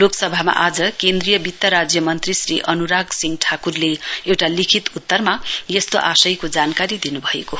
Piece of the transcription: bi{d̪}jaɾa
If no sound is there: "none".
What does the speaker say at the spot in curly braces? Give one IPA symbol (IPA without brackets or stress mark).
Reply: t̪